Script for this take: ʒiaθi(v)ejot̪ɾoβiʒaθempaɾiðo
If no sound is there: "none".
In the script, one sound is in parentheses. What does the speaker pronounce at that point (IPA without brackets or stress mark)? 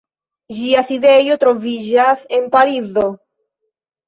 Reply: ð